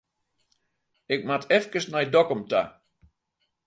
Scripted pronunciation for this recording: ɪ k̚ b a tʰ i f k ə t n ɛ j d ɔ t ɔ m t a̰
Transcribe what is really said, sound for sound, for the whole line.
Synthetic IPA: ɪ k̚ m a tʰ ɛ f k ə s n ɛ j d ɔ k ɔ m t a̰